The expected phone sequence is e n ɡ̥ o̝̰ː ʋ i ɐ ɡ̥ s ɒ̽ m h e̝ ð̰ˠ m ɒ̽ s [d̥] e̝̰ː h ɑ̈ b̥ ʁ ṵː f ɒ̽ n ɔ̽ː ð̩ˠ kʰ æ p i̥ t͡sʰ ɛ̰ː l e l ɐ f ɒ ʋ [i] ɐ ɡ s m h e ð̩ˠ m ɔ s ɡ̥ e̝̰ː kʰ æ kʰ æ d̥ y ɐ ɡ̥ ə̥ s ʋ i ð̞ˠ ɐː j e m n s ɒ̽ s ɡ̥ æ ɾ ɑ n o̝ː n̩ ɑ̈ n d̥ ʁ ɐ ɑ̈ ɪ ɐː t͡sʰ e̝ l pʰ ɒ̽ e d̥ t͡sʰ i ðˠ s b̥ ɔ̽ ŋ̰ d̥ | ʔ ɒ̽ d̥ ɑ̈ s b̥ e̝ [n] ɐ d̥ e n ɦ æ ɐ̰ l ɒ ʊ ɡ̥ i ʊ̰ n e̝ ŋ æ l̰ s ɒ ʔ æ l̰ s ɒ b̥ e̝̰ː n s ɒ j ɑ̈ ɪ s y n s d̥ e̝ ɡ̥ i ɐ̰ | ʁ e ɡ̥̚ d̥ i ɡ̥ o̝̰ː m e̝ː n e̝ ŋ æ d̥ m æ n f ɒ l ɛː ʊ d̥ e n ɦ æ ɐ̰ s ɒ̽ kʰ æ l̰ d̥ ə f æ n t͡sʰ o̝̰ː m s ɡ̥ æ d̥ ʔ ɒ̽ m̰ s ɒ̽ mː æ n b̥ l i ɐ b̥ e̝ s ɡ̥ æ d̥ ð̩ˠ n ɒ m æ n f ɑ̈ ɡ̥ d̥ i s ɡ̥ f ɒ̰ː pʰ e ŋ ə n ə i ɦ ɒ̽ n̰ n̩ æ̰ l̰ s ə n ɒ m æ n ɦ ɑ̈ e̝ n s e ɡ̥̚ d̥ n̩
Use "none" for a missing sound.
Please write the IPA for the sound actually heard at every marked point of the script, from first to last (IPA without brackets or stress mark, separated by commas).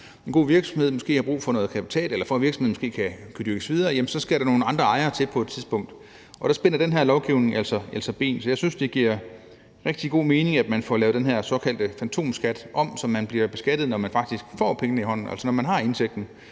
ɡ̥, i, n